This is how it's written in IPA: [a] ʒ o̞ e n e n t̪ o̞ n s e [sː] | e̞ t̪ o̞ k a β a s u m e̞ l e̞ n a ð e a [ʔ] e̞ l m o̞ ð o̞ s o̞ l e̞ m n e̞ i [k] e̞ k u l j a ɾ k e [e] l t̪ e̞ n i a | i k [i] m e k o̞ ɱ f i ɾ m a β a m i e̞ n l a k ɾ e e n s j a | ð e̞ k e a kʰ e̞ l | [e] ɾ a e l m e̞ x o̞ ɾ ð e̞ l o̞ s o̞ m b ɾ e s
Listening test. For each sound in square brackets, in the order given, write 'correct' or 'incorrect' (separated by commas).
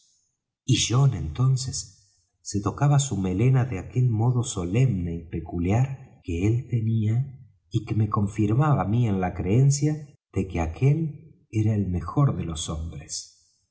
incorrect, correct, incorrect, incorrect, correct, incorrect, correct